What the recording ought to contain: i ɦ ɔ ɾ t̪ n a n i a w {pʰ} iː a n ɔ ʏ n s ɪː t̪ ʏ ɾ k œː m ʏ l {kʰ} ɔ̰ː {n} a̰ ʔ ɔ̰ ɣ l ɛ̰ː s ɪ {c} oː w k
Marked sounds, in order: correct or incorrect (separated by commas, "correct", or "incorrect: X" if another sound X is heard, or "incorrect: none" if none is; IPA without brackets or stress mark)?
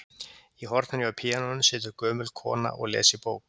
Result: correct, correct, correct, incorrect: p